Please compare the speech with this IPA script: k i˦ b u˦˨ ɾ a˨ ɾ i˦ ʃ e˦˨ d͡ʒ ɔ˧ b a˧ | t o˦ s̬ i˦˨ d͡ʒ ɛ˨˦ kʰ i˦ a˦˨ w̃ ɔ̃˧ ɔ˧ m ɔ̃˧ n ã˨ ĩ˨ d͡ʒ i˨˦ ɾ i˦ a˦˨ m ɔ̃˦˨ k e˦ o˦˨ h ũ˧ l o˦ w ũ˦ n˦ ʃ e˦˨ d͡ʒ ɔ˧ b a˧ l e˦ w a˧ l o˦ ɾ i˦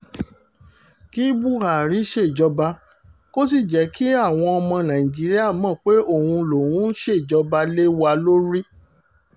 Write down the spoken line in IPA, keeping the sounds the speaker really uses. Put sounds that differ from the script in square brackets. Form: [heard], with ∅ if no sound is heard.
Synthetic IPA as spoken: k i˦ b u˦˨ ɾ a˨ ɾ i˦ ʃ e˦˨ d͡ʒ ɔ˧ b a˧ | [k] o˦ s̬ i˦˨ d͡ʒ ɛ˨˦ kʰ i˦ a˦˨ w̃ ɔ̃˧ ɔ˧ m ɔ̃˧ n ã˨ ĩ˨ d͡ʒ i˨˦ ɾ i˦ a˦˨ m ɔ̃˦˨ [k͡p] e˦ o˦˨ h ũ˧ l [o˨] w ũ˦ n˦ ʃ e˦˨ d͡ʒ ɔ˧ b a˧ l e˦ w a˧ l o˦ ɾ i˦